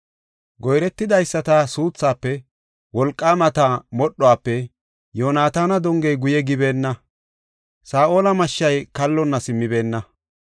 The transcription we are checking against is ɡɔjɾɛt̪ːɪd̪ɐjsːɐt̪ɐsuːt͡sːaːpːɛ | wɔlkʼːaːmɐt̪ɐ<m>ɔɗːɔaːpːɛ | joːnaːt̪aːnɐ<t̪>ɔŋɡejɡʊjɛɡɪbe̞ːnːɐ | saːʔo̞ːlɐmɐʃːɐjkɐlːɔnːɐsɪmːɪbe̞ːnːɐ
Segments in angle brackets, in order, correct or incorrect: correct, incorrect: d̪

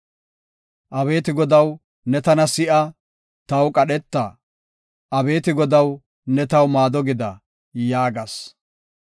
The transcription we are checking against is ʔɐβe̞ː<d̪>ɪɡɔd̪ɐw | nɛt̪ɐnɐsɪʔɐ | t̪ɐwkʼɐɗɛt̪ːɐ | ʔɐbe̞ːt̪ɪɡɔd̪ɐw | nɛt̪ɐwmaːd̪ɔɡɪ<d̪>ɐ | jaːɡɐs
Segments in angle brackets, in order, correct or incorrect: incorrect: t̪, correct

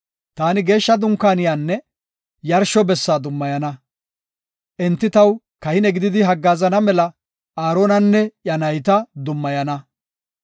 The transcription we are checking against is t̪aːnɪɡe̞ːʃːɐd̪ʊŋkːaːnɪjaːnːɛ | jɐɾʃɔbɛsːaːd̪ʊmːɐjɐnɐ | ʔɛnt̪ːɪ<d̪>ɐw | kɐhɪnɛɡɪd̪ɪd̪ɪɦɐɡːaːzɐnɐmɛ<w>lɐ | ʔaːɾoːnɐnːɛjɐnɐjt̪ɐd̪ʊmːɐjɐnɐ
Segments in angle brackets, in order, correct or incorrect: incorrect: t̪, incorrect: none

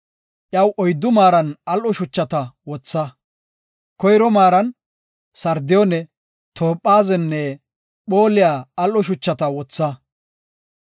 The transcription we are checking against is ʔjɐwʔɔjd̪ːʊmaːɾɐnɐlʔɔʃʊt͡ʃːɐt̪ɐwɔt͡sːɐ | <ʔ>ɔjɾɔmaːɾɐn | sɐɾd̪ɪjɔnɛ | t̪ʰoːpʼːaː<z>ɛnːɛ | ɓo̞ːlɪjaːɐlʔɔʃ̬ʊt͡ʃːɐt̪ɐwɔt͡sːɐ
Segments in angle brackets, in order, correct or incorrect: incorrect: k, correct

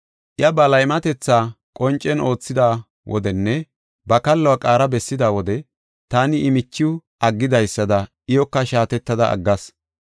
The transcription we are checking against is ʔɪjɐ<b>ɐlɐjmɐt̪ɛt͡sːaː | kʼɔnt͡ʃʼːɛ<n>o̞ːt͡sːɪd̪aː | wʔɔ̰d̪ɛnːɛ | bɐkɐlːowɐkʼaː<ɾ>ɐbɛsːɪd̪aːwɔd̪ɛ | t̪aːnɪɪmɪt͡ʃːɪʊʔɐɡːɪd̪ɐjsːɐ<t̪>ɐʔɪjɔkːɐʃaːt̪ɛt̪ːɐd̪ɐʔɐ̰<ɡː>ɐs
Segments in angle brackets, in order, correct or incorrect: correct, correct, correct, incorrect: d̪, correct

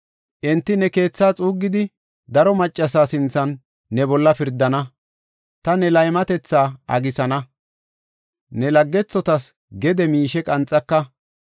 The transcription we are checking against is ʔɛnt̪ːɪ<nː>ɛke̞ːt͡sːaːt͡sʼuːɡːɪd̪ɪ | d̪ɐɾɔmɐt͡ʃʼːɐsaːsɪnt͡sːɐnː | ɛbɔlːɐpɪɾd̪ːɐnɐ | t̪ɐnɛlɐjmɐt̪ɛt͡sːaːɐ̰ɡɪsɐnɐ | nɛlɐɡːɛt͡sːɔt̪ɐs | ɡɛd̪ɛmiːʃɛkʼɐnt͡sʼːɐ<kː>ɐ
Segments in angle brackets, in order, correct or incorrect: incorrect: n, correct

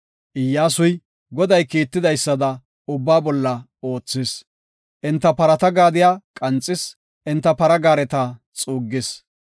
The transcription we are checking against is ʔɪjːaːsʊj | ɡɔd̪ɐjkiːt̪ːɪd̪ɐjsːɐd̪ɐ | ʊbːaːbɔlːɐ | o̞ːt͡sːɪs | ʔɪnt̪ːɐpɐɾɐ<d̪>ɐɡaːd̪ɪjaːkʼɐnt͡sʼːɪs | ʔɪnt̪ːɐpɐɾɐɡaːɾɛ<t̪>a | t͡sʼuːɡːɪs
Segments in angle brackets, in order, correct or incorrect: incorrect: t̪, correct

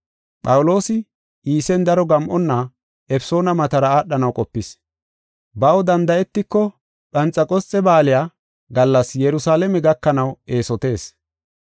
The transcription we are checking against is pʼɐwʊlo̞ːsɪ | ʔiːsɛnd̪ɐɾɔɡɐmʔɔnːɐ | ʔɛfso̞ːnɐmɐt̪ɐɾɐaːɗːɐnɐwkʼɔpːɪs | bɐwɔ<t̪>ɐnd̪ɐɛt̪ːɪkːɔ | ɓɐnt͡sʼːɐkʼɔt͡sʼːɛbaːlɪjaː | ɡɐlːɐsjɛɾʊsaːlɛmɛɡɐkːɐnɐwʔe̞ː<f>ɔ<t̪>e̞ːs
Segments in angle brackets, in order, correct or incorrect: incorrect: d̪, incorrect: s, correct

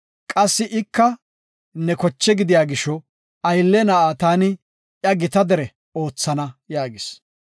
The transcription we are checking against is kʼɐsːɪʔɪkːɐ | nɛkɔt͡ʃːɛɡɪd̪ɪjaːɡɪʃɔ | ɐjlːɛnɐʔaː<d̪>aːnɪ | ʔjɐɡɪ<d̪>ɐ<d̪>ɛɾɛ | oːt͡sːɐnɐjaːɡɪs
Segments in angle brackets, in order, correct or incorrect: incorrect: t̪, incorrect: t̪, correct

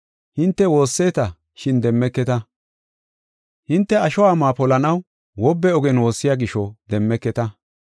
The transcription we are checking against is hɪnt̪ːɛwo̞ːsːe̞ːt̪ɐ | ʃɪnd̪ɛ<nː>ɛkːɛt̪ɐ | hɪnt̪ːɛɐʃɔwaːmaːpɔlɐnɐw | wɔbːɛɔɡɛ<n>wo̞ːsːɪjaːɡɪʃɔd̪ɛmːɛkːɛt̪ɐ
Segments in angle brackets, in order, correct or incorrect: incorrect: mː, correct

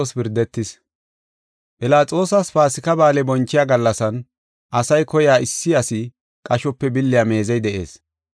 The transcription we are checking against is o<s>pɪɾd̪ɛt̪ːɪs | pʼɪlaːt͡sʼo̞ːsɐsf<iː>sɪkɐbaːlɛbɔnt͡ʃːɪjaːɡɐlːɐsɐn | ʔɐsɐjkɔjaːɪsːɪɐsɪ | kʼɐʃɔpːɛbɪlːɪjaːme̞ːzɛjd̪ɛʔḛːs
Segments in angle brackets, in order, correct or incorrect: correct, incorrect: aː

